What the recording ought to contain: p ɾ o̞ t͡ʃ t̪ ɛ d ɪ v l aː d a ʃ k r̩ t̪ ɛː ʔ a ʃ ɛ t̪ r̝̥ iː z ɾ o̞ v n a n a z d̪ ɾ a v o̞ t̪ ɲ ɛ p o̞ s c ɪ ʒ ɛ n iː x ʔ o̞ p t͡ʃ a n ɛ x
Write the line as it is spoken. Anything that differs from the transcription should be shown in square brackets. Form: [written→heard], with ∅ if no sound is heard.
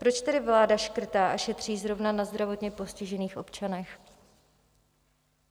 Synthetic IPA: p ɾ o̞ t͡ʃ t̪ ɛ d ɪ v l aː d a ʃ k r̩ t̪ [ɛː→aː] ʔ a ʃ ɛ t̪ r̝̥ iː z ɾ o̞ v n a n a z d̪ ɾ a v o̞ t̪ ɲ ɛ p o̞ s c ɪ ʒ ɛ n iː x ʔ o̞ p t͡ʃ a n ɛ x